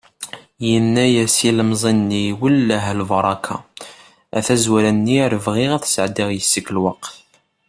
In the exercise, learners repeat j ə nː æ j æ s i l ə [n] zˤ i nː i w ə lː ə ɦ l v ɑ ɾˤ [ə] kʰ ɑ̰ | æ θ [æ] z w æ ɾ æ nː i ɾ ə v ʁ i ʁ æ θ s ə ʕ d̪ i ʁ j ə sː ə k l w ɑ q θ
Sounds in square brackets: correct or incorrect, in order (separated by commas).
incorrect, incorrect, correct